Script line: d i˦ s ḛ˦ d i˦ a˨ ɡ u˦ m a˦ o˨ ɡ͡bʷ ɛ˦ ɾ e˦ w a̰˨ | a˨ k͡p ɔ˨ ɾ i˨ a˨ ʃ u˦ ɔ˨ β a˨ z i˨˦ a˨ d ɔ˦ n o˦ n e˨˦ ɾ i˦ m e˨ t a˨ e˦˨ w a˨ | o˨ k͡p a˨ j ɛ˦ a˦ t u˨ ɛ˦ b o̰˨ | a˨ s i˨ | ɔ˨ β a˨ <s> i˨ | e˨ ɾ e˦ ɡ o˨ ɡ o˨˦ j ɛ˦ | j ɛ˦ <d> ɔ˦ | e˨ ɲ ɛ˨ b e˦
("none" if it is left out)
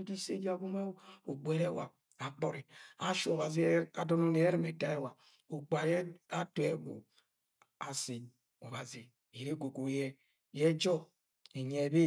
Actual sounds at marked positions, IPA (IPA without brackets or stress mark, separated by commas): z, d͡ʒ